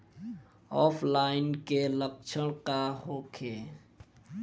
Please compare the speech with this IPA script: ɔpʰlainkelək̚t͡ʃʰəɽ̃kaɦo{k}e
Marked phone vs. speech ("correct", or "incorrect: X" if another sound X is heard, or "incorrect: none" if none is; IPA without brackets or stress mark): incorrect: kʰ